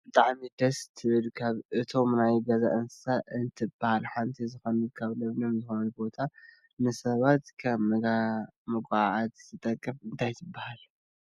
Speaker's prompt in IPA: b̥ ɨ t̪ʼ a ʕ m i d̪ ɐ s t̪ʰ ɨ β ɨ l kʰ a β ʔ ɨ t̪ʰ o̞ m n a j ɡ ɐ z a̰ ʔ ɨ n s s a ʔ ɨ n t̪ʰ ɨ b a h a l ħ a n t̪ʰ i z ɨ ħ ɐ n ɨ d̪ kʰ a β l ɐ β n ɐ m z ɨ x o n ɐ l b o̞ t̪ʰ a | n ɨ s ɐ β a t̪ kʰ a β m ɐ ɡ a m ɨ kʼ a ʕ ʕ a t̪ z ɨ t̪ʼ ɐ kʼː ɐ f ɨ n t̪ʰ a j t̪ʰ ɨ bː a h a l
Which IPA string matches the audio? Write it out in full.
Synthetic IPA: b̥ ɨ t̪ʼ a ʕ m i d̪ ɐ s t̪ʰ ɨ β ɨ l kʰ a β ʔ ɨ t̪ʰ o̞ m n a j ɡ ɐ z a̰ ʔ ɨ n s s a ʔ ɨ n t̪ʰ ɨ b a h a l ħ a n t̪ʰ i z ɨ x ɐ n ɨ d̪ kʰ a β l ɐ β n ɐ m z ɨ x o n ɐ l b o̞ t̪ʰ a | n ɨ s ɐ β a t̪ kʰ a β m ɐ ɡ a m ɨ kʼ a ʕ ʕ a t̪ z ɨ t̪ʼ ɐ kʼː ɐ f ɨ n t̪ʰ a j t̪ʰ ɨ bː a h a l